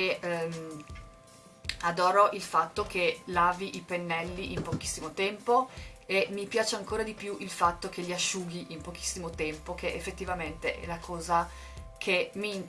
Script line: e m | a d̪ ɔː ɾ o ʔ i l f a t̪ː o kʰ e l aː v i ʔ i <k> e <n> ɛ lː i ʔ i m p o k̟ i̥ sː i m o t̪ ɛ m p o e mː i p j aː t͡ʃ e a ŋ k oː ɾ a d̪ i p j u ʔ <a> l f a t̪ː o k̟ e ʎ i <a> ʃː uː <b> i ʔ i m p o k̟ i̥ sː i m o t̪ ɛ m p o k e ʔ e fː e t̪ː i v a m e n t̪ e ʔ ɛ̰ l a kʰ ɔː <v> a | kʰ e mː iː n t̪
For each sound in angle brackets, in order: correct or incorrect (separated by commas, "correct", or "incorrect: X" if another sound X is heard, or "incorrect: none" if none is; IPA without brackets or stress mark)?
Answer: incorrect: p, incorrect: nː, incorrect: i, correct, incorrect: ɡ, incorrect: z